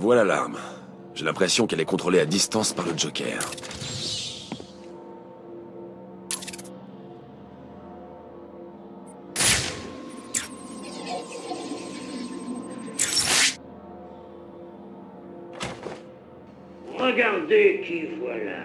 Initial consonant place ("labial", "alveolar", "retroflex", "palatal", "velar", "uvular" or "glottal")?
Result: labial